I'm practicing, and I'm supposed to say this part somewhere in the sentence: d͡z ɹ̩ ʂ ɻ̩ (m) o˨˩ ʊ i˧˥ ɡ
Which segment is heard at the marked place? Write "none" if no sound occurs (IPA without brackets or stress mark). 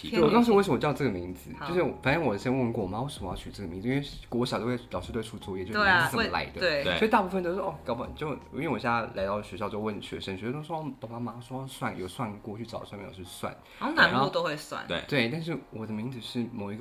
m